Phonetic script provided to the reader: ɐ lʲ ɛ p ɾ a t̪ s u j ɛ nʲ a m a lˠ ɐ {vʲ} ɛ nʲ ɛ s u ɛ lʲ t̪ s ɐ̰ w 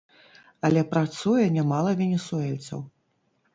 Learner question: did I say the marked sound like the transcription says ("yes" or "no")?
yes